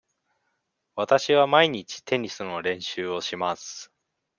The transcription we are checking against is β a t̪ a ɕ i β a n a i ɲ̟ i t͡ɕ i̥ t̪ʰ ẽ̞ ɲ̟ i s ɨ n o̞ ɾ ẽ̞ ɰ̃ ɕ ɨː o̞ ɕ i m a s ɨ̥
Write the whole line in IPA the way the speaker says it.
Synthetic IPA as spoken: β a t̪ a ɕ i β a m a i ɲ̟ i t͡ɕ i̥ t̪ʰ e̞ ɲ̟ i s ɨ n o̞ ɾ ẽ̞ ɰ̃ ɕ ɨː o̞ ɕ i m a s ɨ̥